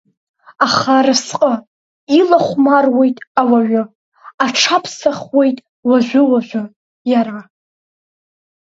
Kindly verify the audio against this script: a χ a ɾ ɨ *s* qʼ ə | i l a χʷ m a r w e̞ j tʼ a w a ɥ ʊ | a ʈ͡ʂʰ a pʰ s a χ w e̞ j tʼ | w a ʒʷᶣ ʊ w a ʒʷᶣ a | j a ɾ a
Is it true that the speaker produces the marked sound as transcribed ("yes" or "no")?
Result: yes